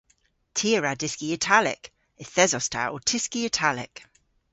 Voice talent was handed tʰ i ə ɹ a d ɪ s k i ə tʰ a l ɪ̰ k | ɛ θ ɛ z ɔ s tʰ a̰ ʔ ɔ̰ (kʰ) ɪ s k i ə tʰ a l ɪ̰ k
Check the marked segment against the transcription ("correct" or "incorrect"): incorrect